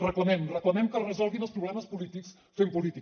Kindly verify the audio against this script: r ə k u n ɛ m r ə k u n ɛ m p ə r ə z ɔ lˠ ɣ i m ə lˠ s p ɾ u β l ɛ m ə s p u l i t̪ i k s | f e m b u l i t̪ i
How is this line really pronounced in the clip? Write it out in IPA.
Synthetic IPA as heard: r ə k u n ɛ m r ə k u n ɛ m k ə r ə z ɔ lˠ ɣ i n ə lˠ s p ɾ u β l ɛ m ə s p u l i t̪ i k s | f e m p u l i t̪ i